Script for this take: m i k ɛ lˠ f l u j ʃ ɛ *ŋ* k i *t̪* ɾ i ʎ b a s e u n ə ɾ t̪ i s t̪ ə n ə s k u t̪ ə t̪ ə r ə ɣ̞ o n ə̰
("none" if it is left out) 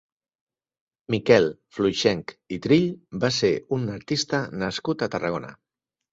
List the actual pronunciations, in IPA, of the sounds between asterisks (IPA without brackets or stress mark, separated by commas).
ŋ, t̪